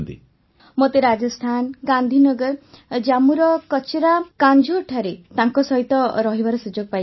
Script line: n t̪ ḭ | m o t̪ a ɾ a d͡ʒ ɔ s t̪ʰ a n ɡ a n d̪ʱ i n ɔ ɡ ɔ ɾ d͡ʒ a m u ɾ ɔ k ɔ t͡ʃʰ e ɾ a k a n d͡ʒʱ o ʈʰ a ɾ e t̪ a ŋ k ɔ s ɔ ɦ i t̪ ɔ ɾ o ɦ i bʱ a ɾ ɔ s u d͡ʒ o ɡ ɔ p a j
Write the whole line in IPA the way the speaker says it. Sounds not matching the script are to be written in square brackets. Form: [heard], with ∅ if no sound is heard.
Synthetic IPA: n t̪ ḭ | m o t̪ [e] ɾ a d͡ʒ ɔ s t̪ʰ a n ɡ a n d̪ʱ i n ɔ ɡ ɔ ɾ d͡ʒ a m u ɾ ɔ k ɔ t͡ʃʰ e ɾ a k a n d͡ʒʱ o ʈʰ a ɾ e t̪ a ŋ k ɔ s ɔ ɦ i t̪ ɔ ɾ [ɔ] ɦ i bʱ a ɾ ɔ s u d͡ʒ o ɡ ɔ p a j